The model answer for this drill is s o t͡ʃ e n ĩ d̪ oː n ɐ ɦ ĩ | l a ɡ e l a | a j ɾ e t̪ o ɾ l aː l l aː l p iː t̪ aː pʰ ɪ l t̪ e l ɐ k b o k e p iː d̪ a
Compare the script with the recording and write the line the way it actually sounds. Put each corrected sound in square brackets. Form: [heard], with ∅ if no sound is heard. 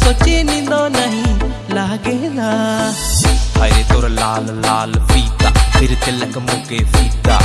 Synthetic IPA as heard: s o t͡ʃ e n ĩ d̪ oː n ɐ ɦ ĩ | l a ɡ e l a | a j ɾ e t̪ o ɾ l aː l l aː l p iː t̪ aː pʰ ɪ [ɾ] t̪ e l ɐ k [m] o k e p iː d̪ a